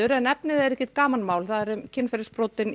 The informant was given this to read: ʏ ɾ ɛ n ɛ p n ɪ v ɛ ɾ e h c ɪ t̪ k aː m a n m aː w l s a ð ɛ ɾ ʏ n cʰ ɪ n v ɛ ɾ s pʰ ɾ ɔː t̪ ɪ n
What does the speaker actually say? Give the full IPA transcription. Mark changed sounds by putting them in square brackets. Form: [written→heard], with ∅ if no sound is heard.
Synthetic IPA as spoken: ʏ ɾ ɛ n ɛ p n ɪ [v→ð] ɛ ɾ [e→ɛ] h c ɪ t̪ k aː m a n m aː w l [s→θ] a ð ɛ ɾ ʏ [n→m] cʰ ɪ n [v→f] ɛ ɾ s [pʰ→p] ɾ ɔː t̪ ɪ n